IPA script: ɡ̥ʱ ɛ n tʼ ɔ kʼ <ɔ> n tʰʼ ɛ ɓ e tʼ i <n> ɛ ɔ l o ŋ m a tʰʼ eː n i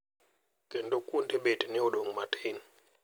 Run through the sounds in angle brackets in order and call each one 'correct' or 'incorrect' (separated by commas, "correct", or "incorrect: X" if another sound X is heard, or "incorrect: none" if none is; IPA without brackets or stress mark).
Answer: incorrect: u, correct